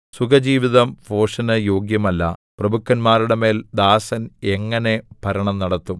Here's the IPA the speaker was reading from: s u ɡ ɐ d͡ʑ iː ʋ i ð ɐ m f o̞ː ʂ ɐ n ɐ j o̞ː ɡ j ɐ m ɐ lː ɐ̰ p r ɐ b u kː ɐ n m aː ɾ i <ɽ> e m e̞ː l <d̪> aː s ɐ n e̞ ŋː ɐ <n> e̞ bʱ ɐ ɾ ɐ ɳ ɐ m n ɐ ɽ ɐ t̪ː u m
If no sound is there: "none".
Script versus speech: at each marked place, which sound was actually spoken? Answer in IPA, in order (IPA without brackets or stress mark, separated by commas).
ɽ, d̪, n